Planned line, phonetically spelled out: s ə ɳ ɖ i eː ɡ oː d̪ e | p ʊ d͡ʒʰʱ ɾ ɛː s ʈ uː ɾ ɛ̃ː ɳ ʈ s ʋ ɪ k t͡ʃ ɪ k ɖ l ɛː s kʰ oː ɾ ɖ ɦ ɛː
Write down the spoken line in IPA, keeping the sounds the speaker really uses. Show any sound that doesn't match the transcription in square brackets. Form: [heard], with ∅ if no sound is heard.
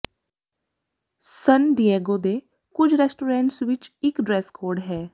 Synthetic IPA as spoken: s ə [n] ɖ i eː ɡ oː d̪ e | [k] ʊ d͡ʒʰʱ ɾ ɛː s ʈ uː ɾ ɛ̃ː ɳ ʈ s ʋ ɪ [∅] t͡ʃ ɪ k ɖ [ɾ] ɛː s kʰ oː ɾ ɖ ɦ ɛː

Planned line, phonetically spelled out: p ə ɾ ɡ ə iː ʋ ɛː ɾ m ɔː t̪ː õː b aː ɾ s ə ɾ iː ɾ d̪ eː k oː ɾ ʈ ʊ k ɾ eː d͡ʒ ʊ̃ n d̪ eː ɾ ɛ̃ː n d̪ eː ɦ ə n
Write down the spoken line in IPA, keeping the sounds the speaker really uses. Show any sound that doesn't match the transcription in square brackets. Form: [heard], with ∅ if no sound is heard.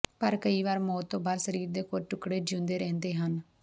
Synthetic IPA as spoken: p ə ɾ [k] ə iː ʋ [aː] ɾ m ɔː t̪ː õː b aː ɾ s ə ɾ iː ɾ d̪ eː k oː ɾ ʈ ʊ k [ɽ] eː d͡ʒ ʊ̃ n d̪ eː ɾ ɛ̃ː n d̪ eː ɦ ə n

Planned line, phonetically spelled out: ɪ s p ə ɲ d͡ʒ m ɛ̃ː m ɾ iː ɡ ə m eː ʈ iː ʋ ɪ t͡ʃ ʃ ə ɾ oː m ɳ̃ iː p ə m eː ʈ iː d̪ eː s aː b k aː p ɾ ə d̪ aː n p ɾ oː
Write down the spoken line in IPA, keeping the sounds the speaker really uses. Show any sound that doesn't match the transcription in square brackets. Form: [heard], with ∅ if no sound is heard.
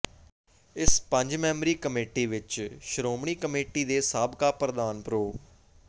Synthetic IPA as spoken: ɪ s p ə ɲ d͡ʒ m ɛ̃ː m ɾ iː [k] ə m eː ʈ iː ʋ ɪ t͡ʃ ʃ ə ɾ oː m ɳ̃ iː [k] ə m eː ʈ iː d̪ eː s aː b k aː p ɾ ə d̪ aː n p ɾ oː

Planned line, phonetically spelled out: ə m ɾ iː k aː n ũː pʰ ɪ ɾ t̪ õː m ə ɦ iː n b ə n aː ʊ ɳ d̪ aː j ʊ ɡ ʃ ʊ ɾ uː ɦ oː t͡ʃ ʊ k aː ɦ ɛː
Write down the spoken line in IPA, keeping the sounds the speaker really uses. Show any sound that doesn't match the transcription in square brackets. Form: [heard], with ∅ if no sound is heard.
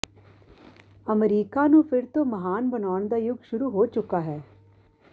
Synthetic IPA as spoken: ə m ɾ iː k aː n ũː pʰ ɪ ɾ t̪ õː m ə ɦ [aː] n b ə n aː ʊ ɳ d̪ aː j ʊ ɡ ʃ ʊ ɾ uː ɦ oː t͡ʃ ʊ k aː ɦ ɛː

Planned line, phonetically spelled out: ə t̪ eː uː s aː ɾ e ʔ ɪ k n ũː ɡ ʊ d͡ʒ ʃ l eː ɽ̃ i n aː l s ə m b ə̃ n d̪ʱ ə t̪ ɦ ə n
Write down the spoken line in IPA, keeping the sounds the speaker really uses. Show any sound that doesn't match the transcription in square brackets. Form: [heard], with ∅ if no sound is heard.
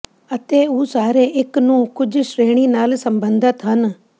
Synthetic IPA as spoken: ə t̪ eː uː s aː ɾ e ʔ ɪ k n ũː [k] ʊ d͡ʒ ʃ [ɾ] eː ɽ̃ i n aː l s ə m b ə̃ n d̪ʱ ə t̪ ɦ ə n

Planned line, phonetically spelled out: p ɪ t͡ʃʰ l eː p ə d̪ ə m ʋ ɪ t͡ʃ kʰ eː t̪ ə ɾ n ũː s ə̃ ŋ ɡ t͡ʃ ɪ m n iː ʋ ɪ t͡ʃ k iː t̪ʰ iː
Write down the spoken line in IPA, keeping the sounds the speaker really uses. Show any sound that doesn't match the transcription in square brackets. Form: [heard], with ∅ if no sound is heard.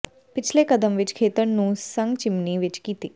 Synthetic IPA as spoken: p ɪ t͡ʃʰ l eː [k] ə d̪ ə m ʋ ɪ t͡ʃ kʰ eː t̪ ə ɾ n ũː s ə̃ ŋ ɡ t͡ʃ ɪ m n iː ʋ ɪ t͡ʃ k iː [t̪] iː

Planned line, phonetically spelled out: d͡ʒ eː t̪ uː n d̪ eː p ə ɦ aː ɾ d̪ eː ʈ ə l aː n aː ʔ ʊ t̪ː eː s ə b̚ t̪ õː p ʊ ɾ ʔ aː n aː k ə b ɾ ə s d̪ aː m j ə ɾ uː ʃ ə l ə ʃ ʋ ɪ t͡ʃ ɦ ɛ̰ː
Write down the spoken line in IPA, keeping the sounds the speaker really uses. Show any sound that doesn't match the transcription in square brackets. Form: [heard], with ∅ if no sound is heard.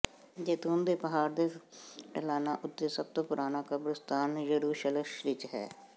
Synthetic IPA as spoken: d͡ʒ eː t̪ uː n d̪ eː p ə ɦ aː ɾ d̪ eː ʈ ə l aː n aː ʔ ʊ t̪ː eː s ə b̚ t̪ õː p ʊ ɾ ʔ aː n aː k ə b ɾ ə s [t̪] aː [n] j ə ɾ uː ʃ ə l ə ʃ ʋ ɪ t͡ʃ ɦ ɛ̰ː

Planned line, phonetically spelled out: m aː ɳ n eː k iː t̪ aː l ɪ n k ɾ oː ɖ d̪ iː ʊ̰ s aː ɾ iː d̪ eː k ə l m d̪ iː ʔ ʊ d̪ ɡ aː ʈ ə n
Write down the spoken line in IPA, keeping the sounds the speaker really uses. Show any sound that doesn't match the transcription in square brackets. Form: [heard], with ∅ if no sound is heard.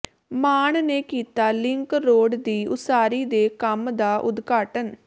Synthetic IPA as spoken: m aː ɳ n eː k iː t̪ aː l ɪ [ŋ] k ɾ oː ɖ d̪ iː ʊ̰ s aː ɾ iː d̪ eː k ə [∅] m d̪ [aː] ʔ ʊ d̪ ɡ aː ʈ ə n

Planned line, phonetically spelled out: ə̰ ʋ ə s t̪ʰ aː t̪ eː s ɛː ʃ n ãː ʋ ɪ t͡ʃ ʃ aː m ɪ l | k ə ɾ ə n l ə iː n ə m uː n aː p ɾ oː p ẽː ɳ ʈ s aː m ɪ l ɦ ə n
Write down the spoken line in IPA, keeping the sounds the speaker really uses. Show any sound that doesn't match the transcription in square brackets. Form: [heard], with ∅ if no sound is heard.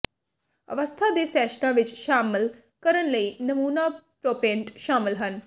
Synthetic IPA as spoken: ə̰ ʋ ə s t̪ʰ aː [d̪] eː s ɛː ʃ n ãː ʋ ɪ t͡ʃ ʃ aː m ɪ l | k ə ɾ ə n l ə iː n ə m uː n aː p ɾ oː p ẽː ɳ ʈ [ʃ] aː m ɪ l ɦ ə n

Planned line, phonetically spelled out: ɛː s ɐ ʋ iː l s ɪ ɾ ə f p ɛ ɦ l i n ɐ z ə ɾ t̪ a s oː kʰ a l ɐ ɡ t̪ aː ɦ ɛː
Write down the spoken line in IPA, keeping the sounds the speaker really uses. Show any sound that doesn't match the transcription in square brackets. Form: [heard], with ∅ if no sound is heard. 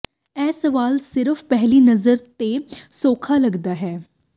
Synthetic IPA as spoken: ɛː s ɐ ʋ [aː] l s ɪ ɾ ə f p ɛ ɦ l i n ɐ z ə ɾ t̪ [e] s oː kʰ a l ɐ ɡ [d̪] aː ɦ ɛː

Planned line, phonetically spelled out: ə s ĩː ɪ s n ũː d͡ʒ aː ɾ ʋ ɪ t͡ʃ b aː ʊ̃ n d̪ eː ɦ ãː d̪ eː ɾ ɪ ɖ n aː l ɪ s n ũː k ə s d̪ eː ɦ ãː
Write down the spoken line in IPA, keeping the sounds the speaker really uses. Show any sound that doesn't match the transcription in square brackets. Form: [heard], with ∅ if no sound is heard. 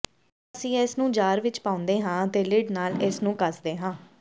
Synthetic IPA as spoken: ə s ĩː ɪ s n ũː d͡ʒ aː ɾ ʋ ɪ t͡ʃ [p] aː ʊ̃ n d̪ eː ɦ ãː [t̪] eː [l] ɪ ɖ n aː l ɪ s n ũː k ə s d̪ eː ɦ ãː

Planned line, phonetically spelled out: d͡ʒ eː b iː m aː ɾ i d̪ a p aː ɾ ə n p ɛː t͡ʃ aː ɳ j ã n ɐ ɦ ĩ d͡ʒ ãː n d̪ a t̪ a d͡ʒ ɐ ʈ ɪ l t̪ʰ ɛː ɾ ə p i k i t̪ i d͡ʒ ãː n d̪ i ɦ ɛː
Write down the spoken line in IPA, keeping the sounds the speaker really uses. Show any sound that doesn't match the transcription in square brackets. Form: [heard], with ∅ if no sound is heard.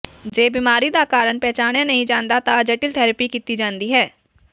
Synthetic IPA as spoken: d͡ʒ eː b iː m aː ɾ i d̪ a [k] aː ɾ ə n p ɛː t͡ʃ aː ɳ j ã n ɐ ɦ ĩ d͡ʒ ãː n d̪ a t̪ a d͡ʒ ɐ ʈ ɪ l t̪ʰ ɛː ɾ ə p i k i t̪ i d͡ʒ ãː n d̪ i ɦ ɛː

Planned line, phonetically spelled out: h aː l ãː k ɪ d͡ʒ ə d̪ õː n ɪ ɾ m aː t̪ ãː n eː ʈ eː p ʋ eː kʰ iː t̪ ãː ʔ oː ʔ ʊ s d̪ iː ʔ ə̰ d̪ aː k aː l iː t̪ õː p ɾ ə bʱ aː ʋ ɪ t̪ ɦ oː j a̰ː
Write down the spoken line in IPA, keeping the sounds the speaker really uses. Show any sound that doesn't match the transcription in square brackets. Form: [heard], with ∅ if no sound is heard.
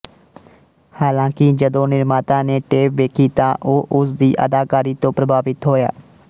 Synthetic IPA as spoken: h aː l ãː k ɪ d͡ʒ ə d̪ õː n ɪ ɾ m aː t̪ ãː n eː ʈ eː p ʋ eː kʰ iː t̪ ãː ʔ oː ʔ ʊ s d̪ iː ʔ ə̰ d̪ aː k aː [ɾ] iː t̪ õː p ɾ ə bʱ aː ʋ ɪ t̪ ɦ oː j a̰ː

